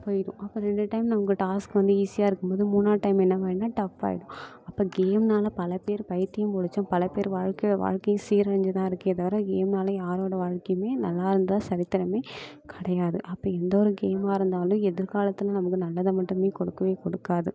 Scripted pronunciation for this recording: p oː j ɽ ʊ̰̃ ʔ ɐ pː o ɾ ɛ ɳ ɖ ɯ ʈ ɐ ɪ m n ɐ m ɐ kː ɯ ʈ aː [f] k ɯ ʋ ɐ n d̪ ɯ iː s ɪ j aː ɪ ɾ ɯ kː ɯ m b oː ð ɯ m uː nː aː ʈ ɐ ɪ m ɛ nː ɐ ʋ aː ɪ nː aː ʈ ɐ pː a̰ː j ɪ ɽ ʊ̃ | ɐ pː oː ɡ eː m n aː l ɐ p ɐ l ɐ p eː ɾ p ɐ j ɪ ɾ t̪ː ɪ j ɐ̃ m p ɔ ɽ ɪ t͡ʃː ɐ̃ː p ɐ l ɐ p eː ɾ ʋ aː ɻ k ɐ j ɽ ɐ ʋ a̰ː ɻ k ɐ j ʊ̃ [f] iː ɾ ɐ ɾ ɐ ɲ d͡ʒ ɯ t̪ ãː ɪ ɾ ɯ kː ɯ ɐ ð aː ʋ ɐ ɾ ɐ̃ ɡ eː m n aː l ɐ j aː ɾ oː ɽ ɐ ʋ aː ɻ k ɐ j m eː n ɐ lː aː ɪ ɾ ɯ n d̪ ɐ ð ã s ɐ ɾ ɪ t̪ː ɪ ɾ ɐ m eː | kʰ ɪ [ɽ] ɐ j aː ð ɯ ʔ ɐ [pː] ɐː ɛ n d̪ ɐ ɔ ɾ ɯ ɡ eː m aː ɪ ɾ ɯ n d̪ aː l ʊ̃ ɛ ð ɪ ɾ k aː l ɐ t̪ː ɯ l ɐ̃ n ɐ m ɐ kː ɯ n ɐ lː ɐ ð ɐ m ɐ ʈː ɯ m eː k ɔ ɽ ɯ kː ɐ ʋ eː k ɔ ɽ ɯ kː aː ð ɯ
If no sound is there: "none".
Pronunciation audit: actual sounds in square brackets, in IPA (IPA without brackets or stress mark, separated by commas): s, s, ɽ, pː